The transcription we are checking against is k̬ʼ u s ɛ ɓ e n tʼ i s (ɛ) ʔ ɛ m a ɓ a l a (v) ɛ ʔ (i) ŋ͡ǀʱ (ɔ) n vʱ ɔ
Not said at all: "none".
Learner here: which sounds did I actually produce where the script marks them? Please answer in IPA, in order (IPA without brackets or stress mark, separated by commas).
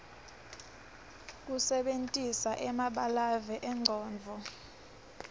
a, v, ɛ, ɔː